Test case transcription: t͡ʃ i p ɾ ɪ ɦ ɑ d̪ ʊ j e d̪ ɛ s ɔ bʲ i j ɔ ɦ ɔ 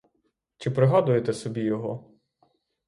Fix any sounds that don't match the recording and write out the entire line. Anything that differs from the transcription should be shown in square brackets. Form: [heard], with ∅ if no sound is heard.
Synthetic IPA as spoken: t͡ʃ [ɪ] p ɾ ɪ ɦ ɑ d̪ ʊ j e [t̪] ɛ s ɔ bʲ i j ɔ ɦ ɔ